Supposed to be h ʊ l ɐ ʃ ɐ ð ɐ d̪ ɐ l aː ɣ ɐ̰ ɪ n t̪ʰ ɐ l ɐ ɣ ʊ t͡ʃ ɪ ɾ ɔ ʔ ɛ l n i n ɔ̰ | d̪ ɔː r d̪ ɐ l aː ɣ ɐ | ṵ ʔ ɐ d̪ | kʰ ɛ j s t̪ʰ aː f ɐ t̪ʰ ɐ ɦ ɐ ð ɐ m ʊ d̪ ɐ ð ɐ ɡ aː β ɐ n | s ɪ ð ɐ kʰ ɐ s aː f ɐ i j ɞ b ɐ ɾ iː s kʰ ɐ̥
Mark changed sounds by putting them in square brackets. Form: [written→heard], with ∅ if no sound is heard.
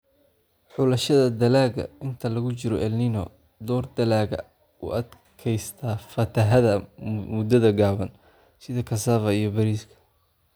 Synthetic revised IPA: [h→ħ] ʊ l ɐ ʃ ɐ ð ɐ d̪ ɐ l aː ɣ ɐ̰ ɪ n t̪ʰ ɐ l ɐ ɣ ʊ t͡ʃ ɪ ɾ ɔ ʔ ɛ l n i n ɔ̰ | d̪ ɔː r d̪ ɐ l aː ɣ ɐ | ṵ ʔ ɐ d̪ | kʰ ɛ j s t̪ʰ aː f ɐ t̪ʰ ɐ ɦ ɐ ð ɐ m ʊ d̪ ɐ ð ɐ ɡ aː β ɐ n | s ɪ ð ɐ kʰ ɐ s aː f ɐ i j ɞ b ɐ ɾ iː s kʰ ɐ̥

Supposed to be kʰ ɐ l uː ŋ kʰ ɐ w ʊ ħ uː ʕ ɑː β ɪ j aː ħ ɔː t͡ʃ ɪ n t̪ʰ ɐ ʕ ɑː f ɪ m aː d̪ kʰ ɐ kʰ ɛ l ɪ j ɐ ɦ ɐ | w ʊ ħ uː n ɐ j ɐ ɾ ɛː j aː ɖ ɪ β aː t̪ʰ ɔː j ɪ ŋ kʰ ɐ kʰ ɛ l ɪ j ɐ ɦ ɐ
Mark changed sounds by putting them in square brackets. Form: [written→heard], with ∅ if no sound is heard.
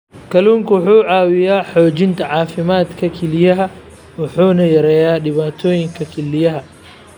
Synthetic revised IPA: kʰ ɐ l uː ŋ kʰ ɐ w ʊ ħ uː ʕ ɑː [β→w] ɪ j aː ħ ɔː t͡ʃ ɪ n t̪ʰ ɐ ʕ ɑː f ɪ m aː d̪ kʰ ɐ kʰ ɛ l ɪ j ɐ ɦ ɐ | w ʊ ħ uː n ɐ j ɐ ɾ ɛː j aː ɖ ɪ β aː t̪ʰ ɔː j ɪ ŋ kʰ ɐ kʰ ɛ l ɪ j ɐ ɦ ɐ

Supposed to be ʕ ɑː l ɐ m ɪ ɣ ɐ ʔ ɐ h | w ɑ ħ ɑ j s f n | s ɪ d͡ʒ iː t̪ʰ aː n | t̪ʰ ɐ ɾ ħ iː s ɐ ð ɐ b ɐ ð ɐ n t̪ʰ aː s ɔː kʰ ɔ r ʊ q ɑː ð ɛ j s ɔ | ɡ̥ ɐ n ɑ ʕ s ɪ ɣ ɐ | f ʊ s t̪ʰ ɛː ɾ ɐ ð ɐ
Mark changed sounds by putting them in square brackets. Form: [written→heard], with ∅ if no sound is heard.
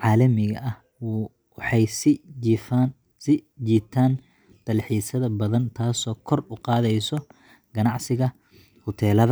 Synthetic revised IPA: ʕ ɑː l ɐ m ɪ ɣ ɐ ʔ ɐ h | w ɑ ħ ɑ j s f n | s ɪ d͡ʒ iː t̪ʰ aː n | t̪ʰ ɐ [ɾ→l] ħ iː s ɐ ð ɐ b ɐ ð ɐ n t̪ʰ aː s ɔː kʰ ɔ r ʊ q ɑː ð ɛ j s ɔ | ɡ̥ ɐ n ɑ ʕ s ɪ ɣ ɐ | [f→h] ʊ [s→∅] t̪ʰ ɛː [ɾ→l] ɐ ð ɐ

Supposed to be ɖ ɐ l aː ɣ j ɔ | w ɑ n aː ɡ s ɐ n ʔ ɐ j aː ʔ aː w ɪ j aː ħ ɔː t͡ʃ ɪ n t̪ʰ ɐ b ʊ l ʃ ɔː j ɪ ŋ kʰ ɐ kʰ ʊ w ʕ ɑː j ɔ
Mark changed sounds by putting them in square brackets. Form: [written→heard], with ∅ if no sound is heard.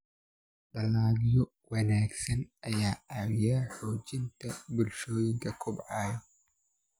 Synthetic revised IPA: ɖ ɐ l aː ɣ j ɔ | w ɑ n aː ɡ s ɐ n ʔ ɐ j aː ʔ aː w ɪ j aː ħ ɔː t͡ʃ ɪ n t̪ʰ ɐ b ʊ l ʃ ɔː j ɪ ŋ kʰ ɐ kʰ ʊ [w→b] ʕ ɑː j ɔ

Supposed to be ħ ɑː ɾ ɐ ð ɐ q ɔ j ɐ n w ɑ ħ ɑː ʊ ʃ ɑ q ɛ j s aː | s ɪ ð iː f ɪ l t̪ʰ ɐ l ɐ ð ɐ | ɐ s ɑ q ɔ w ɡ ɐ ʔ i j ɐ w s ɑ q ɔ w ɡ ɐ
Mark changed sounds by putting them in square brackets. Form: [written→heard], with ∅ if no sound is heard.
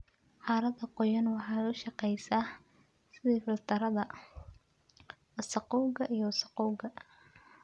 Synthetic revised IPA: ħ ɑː ɾ ɐ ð ɐ q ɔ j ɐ n w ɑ ħ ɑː ʊ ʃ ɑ q ɛ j s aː | s ɪ ð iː f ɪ l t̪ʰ ɐ [l→ɾ] ɐ ð ɐ | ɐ s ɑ q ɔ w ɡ ɐ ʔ i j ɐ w s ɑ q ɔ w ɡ ɐ

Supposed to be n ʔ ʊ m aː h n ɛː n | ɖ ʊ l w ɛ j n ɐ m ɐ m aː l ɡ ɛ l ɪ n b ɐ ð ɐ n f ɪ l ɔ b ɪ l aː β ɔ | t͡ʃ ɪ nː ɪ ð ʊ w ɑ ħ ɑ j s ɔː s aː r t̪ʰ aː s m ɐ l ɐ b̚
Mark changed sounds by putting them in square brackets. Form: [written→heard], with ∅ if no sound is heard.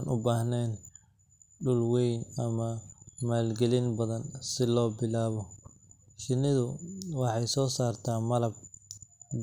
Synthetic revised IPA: n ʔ ʊ [m→b] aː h n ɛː n | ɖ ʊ l w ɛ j n ɐ m ɐ m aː l ɡ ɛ l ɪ n b ɐ ð ɐ n [f→s] ɪ l [ɔ→ɔː] b ɪ l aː β ɔ | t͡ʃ ɪ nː ɪ ð ʊ w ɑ ħ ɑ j s ɔː s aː r t̪ʰ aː [s→∅] m ɐ l ɐ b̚

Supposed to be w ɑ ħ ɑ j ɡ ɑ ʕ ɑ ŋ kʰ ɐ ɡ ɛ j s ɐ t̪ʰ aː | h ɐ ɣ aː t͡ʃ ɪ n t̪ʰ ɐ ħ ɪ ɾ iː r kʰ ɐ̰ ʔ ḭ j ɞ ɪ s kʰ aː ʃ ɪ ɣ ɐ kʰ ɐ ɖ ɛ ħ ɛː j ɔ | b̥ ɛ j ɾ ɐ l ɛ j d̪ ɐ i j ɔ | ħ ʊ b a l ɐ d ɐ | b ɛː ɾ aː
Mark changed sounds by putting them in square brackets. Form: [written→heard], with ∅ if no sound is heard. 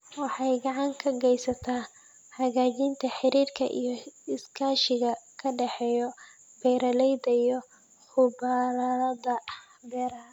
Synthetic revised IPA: w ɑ ħ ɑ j ɡ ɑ ʕ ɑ ŋ kʰ ɐ ɡ ɛ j s ɐ t̪ʰ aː | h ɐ ɣ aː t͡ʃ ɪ n t̪ʰ ɐ ħ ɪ ɾ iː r kʰ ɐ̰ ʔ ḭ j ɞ ɪ s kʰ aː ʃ ɪ ɣ ɐ kʰ ɐ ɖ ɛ ħ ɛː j ɔ | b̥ ɛ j ɾ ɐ l ɛ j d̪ ɐ i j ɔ | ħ ʊ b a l ɐ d ɐ | b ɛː ɾ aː

